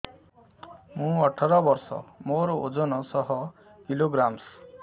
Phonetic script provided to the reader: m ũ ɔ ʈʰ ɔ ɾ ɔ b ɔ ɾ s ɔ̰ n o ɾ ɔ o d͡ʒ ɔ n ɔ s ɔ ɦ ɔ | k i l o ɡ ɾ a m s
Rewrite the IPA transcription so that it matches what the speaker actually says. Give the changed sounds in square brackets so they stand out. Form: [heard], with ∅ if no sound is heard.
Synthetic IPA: m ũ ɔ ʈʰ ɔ ɾ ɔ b ɔ ɾ s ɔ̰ [m] o ɾ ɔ o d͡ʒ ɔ n ɔ s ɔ ɦ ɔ | k i l o ɡ ɾ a m s